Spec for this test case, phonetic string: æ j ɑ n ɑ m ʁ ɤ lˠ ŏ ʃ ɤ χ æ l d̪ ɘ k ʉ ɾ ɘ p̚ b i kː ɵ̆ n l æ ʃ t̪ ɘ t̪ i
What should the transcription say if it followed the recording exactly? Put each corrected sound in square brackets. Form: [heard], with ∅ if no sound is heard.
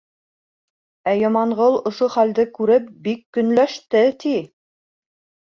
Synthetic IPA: æ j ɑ [m] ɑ [ɴ] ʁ ɤ lˠ ŏ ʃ [o] χ æ l d̪ ɘ k ʉ ɾ ɘ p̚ b i kː ɵ̆ n l æ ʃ t̪ ɘ t̪ i

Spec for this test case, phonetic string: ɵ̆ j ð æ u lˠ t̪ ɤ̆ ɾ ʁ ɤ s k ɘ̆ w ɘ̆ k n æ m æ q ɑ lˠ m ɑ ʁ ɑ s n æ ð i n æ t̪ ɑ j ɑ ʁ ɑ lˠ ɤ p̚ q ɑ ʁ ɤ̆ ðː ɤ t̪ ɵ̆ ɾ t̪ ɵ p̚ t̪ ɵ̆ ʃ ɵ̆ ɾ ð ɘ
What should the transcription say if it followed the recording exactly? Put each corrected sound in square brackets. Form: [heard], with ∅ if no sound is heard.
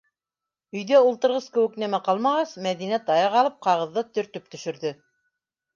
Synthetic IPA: ɵ̆ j ð æ u lˠ t̪ ɤ̆ ɾ ʁ ɤ s k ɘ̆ w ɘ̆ k n æ m æ q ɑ lˠ m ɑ ʁ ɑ s [m] æ ð i n æ t̪ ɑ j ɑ ʁ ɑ lˠ ɤ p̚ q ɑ ʁ ɤ̆ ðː ɤ t̪ ɵ̆ ɾ t̪ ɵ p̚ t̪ ɵ̆ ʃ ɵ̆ ɾ ð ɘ

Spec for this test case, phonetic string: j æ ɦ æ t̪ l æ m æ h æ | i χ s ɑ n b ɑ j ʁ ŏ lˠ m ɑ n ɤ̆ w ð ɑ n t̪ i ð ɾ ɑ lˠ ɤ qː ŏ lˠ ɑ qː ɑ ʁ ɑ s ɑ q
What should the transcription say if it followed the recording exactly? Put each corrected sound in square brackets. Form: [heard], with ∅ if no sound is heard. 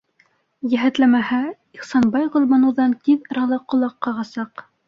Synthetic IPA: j æ ɦ æ t̪ l æ m æ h æ | i χ s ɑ n b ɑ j ʁ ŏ lˠ m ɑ n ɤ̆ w ð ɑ n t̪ i ð ɾ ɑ lˠ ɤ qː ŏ lˠ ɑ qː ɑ ʁ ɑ s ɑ q

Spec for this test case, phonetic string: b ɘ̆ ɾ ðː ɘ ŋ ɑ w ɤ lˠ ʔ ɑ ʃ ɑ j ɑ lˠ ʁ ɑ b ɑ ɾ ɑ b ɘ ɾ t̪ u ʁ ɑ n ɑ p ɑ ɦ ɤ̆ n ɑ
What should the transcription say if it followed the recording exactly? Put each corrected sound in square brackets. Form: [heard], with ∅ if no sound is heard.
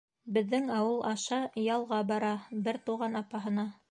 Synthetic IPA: b ɘ̆ [∅] ðː ɘ ŋ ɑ w ɤ lˠ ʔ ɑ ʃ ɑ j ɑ lˠ ʁ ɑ b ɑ ɾ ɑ b ɘ ɾ t̪ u ʁ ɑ n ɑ p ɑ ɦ ɤ̆ n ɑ

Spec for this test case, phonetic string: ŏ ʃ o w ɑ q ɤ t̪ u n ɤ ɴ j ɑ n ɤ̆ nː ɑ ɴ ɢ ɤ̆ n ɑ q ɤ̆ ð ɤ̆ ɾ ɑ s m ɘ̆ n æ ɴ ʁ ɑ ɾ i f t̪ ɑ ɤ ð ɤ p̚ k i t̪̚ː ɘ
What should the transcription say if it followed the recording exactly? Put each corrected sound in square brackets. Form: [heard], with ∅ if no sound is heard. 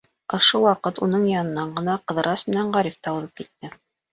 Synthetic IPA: ŏ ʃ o w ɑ q ɤ t̪ u n ɤ ɴ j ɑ n ɤ̆ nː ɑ ɴ ɢ ɤ̆ n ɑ q ɤ̆ ð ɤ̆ ɾ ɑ s m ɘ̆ n æ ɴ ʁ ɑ ɾ i f t̪ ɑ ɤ ð ɤ p̚ k i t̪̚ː ɘ

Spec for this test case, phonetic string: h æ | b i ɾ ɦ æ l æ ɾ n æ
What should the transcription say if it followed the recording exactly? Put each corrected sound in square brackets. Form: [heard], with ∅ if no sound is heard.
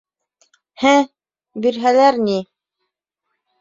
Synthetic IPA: h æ | b i ɾ ɦ æ l æ ɾ n [i]

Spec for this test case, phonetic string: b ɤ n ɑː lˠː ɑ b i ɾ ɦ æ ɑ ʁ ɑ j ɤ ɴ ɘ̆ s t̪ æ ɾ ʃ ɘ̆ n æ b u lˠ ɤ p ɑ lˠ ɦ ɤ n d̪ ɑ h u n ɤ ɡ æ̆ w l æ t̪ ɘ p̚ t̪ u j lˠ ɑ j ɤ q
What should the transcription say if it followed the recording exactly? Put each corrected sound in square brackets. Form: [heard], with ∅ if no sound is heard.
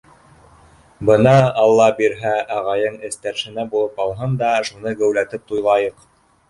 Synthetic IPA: b ɤ n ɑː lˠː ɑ b i ɾ ɦ æ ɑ ʁ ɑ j ɤ ɴ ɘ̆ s t̪ æ ɾ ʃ ɘ̆ n æ b u lˠ ɤ p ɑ lˠ ɦ ɤ n d̪ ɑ [ʃ] u n ɤ ɡ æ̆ w l æ t̪ ɘ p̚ t̪ u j lˠ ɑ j ɤ q

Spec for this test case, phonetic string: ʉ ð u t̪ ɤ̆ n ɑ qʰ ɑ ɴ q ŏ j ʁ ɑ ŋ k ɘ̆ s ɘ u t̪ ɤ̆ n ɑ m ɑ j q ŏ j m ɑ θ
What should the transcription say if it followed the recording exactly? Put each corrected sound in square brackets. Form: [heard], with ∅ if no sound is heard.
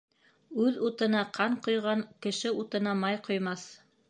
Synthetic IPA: ʉ ð u t̪ ɤ̆ n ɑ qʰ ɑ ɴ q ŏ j ʁ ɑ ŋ k ɘ̆ [ʃ] ɘ u t̪ ɤ̆ n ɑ m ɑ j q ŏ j m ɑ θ

